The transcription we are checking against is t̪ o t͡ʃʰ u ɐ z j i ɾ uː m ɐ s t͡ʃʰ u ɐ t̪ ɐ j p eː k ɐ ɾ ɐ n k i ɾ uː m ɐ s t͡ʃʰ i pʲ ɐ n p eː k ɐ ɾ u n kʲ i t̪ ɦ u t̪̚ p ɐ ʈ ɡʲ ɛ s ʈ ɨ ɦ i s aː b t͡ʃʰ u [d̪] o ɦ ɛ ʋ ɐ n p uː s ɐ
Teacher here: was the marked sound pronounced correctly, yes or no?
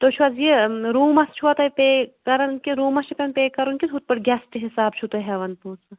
no